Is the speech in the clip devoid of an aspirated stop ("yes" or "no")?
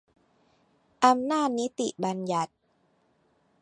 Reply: yes